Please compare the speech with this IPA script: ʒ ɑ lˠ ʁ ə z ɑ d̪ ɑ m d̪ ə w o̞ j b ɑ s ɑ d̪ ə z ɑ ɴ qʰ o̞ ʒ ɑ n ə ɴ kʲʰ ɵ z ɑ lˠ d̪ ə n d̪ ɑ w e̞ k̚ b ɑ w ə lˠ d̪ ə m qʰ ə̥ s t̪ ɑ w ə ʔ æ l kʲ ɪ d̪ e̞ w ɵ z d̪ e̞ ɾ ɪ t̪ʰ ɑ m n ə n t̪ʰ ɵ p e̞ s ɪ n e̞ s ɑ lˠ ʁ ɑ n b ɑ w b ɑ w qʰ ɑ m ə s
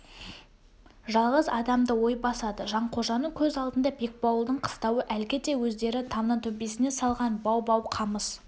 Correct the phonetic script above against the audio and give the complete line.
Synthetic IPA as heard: ʒ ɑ lˠ ʁ ə z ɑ d̪ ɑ m d̪ ə w o̞ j b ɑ s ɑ d̪ ə ʒ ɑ ɴ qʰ o̞ ʒ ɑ n ə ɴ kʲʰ ɵ z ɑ lˠ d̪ ə n d̪ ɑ b e̞ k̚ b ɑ w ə lˠ d̪ ə ɴ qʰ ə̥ s t̪ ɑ w ə ʔ æ l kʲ ɪ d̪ e̞ w ɵ z d̪ e̞ ɾ ɪ t̪ʰ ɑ m n ə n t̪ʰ ɵ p e̞ s ɪ n e̞ s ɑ lˠ ʁ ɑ n b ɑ w b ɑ w qʰ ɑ m ə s